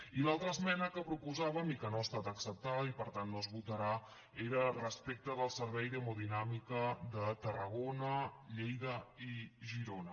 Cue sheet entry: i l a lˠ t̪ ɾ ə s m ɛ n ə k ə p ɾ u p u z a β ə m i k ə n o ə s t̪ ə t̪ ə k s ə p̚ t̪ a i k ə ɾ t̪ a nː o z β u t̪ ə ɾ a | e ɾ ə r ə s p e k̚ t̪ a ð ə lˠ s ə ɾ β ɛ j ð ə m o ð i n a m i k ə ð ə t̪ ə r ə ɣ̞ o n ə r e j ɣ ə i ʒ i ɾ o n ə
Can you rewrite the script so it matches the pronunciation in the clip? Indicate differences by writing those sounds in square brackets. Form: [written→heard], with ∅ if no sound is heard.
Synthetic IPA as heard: i l a lˠ t̪ ɾ ə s m ɛ n ə k ə p ɾ u p u z a β ə m i k ə n o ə s t̪ [ə→a] t̪ ə k s ə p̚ t̪ a i [k→p] ə ɾ t̪ a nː o z β u t̪ ə ɾ a | e ɾ ə r ə s p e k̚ t̪ [a→ə] ð ə lˠ s ə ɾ β ɛ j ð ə m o ð i n a m i k ə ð ə t̪ ə r ə ɣ̞ o n ə [r→ʎ] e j [ɣ→ð] ə i ʒ i ɾ o n ə